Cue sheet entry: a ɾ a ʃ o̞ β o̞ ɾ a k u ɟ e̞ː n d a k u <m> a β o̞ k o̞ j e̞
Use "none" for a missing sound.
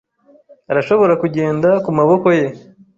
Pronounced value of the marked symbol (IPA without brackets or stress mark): m